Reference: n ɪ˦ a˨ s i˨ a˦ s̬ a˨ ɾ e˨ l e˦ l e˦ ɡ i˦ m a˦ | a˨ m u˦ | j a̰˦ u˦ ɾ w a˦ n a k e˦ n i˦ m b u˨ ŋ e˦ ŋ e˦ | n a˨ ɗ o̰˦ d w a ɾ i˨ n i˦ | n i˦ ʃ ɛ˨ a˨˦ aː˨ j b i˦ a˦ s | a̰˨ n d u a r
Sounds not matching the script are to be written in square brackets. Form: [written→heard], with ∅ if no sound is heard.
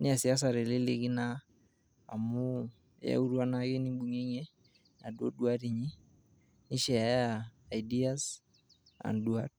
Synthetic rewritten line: n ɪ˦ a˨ s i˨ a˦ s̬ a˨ ɾ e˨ l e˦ l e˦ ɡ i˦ [m→n] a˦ | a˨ m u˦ | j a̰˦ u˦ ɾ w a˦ n a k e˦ n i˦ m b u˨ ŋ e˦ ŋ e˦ | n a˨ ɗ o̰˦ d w a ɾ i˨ [n→ɲ] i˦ | n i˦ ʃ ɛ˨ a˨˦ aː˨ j [b→d] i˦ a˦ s | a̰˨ n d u a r